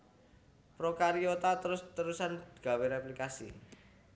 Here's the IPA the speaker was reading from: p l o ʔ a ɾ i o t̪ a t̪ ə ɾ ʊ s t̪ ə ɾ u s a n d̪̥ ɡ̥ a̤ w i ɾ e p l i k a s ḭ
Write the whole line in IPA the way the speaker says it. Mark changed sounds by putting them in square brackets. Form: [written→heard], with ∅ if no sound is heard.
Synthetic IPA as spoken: p [l→ɾ] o [ʔ→k] a ɾ i o t̪ a t̪ ə ɾ ʊ s t̪ ə ɾ u s a n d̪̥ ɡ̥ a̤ w [i→e] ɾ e p l i k a s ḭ